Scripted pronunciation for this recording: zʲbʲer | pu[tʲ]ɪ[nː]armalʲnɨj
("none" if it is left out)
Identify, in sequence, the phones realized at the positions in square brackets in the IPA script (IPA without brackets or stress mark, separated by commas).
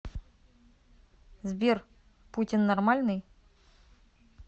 tʲ, nː